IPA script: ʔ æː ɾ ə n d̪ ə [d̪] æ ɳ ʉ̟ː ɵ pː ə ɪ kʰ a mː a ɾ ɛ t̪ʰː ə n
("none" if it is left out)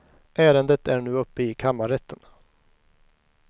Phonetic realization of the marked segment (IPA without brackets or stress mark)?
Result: t̪